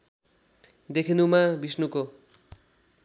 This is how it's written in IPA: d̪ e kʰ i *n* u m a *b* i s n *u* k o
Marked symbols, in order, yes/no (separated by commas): yes, yes, yes